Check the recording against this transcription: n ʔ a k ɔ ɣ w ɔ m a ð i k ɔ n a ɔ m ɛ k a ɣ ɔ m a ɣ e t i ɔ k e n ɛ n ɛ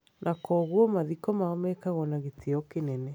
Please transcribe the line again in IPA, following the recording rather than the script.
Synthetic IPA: n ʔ a k ɔ ɣ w ɔ m a ð i k ɔ m a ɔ m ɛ k a ɣ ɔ n a ɣ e t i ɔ k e n ɛ n ɛ